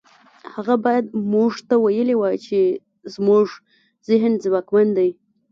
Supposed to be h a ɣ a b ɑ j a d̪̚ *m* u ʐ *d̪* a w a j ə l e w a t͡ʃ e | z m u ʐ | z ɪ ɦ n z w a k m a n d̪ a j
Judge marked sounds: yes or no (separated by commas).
yes, no